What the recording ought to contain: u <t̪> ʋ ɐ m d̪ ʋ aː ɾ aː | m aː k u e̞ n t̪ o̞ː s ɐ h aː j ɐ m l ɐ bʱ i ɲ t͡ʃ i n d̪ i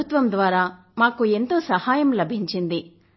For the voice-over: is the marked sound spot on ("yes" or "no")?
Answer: yes